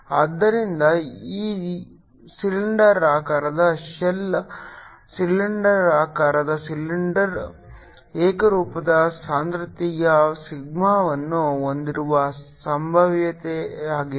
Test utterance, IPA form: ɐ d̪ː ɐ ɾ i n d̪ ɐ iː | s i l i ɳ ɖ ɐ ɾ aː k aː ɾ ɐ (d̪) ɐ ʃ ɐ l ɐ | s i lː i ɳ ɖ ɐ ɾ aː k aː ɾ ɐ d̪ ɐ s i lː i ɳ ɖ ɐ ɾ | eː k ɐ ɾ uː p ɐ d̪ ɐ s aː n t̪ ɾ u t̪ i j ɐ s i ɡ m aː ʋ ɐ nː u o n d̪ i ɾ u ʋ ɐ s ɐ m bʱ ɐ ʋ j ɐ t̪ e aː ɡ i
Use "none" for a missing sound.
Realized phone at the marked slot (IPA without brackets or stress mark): d̪